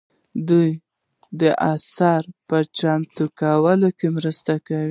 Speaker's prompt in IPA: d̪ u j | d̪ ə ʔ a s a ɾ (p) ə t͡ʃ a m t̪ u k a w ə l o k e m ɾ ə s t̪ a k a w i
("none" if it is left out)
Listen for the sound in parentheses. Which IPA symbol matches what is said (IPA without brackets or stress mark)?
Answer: p